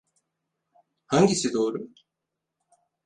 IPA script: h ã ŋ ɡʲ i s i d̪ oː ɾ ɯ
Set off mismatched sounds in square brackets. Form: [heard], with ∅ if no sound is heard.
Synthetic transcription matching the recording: h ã ŋ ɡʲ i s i d̪ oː ɾ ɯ